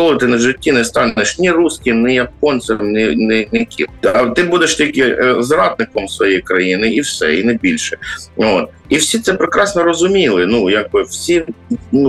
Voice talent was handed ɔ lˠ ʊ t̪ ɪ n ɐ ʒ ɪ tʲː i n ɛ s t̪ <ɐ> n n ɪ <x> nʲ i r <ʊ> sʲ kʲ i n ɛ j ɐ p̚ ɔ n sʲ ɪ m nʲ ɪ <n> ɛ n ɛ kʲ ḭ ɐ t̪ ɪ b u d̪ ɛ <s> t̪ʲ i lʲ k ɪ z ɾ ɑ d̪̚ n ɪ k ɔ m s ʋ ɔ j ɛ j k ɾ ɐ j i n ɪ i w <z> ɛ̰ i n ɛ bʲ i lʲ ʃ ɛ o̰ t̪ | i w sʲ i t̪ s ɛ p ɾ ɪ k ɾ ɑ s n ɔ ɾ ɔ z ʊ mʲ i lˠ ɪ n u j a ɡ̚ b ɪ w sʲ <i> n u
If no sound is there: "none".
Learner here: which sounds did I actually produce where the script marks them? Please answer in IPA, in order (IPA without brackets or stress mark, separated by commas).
ɑ, ʃ, u, n, ʃ, s, i